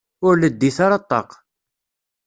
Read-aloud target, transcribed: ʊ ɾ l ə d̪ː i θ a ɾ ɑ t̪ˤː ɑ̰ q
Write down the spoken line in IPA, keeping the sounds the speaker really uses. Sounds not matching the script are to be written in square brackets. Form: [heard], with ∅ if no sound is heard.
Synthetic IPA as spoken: ʊ ɾ l ə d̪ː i θ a ɾ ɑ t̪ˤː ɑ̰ q